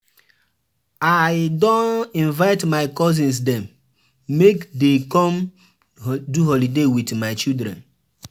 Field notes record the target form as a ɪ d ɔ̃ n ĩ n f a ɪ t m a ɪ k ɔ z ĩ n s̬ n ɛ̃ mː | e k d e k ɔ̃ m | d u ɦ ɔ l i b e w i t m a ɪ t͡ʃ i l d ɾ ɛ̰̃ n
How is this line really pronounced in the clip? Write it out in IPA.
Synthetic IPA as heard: a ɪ d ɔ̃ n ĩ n v a ɪ t m a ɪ k ɔ z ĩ n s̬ d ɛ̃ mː | e k d e k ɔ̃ m | d u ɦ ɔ l i d e w i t m a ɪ t͡ʃ i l d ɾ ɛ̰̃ n